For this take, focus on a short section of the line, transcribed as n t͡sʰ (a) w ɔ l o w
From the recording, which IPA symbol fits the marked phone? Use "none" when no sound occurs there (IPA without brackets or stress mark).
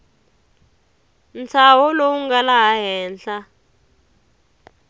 a